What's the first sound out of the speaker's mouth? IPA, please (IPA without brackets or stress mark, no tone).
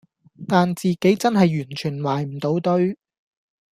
t̪